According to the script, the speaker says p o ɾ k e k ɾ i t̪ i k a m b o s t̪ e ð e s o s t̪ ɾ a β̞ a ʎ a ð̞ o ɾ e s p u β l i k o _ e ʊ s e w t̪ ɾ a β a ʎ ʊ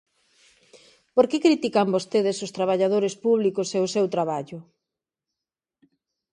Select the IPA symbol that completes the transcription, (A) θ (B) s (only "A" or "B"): B